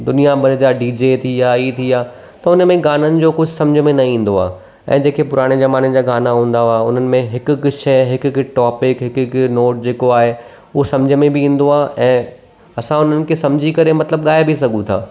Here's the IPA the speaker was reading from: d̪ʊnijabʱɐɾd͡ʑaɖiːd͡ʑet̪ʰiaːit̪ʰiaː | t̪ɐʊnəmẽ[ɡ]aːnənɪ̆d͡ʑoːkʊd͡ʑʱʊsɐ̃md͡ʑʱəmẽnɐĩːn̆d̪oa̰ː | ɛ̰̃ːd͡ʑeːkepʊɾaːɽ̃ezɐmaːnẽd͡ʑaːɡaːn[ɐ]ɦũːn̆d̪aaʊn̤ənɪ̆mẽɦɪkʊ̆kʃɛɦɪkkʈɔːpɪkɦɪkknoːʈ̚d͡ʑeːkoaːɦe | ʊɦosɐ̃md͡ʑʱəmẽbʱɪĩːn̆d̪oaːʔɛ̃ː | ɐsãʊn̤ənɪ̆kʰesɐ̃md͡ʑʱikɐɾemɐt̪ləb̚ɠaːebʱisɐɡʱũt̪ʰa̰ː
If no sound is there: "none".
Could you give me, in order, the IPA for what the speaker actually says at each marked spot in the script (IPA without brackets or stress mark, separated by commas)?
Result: ɡ, a